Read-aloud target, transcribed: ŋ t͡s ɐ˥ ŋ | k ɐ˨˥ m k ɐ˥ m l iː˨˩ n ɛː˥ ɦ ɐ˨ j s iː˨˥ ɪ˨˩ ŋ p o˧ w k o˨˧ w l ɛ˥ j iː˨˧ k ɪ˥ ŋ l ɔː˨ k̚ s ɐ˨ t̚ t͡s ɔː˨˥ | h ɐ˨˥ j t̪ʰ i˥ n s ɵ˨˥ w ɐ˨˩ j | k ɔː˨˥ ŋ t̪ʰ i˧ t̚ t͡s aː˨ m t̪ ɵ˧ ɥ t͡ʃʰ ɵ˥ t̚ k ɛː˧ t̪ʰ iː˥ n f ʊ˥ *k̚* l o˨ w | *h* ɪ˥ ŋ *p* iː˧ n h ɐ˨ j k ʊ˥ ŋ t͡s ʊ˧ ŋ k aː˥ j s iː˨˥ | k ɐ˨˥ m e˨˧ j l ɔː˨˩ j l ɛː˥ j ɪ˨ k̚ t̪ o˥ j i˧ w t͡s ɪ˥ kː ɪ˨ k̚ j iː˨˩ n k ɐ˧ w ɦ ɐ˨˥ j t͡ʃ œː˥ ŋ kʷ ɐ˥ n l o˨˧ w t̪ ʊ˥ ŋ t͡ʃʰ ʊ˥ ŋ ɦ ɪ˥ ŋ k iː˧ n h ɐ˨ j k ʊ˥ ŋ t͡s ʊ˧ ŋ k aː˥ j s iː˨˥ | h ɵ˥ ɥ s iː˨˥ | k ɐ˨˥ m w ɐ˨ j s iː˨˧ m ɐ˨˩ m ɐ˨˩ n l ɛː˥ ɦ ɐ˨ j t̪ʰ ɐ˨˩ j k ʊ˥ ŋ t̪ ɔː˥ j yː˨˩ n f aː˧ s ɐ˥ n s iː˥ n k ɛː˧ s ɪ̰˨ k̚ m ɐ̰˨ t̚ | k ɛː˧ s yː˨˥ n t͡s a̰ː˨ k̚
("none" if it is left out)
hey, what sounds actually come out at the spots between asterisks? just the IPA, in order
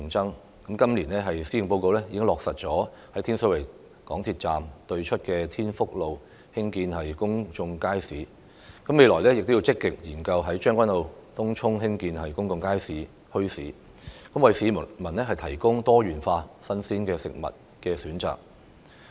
k̚, h, k

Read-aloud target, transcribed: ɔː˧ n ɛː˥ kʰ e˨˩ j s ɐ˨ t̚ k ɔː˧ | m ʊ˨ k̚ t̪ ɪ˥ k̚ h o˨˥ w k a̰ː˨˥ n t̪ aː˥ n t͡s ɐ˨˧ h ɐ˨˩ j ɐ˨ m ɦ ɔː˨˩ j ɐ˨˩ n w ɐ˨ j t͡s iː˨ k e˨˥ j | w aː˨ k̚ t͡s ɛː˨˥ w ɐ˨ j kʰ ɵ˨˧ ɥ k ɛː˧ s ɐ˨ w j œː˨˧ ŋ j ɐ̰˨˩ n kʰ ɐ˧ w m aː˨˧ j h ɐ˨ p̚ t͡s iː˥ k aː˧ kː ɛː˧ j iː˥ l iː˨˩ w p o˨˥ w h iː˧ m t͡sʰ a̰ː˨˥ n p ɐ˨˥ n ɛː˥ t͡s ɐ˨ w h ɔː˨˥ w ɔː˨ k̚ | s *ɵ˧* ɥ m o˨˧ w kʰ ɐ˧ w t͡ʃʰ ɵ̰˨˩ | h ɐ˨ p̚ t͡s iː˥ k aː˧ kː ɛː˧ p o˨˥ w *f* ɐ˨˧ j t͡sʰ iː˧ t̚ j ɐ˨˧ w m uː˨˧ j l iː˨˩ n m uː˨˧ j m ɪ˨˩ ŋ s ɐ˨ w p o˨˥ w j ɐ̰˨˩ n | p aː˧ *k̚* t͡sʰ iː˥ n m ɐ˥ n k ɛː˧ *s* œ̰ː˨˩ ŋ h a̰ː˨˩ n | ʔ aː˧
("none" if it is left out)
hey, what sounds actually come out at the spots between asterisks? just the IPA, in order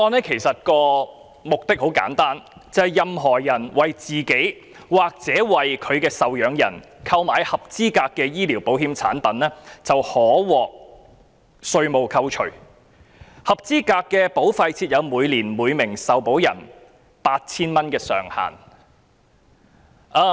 ɵ˧, f, t̚, s

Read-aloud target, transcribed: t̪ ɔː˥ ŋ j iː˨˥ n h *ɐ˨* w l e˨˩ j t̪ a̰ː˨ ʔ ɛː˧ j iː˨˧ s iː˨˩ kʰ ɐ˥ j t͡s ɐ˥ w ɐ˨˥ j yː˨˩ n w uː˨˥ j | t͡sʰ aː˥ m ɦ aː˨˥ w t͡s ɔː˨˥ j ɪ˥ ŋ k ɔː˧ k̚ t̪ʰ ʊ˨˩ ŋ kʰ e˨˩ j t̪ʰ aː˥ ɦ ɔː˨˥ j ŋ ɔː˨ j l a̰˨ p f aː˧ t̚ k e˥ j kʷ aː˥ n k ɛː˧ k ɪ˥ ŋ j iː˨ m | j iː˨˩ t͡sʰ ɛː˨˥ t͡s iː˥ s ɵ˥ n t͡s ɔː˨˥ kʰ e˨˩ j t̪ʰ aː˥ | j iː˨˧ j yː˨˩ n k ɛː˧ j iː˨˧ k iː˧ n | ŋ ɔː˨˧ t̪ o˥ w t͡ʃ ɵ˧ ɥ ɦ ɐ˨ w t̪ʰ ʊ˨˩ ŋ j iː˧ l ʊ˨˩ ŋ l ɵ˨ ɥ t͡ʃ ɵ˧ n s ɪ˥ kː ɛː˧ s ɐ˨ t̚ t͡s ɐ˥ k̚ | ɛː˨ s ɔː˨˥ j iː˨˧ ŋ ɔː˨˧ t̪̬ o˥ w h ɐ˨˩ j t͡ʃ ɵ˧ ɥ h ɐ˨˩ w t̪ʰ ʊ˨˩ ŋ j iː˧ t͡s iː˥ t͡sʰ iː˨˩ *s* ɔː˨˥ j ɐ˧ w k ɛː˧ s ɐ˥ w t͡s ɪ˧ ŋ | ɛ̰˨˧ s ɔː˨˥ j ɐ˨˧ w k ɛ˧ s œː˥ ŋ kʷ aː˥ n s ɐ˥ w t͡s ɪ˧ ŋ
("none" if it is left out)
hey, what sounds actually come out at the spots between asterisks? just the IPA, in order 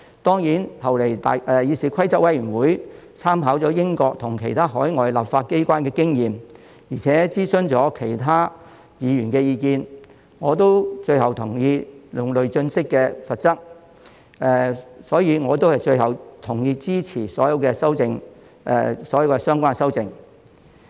ɐ˨, s

